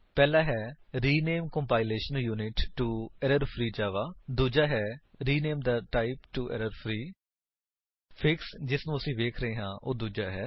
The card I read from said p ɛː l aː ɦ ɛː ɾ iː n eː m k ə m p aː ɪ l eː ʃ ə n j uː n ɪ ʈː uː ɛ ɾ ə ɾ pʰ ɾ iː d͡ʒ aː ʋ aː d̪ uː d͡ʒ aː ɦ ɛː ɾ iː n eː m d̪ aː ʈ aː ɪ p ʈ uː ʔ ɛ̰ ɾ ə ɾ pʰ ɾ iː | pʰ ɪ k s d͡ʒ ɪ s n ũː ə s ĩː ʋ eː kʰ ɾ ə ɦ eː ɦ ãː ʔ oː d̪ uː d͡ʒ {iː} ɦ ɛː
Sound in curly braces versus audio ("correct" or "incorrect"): incorrect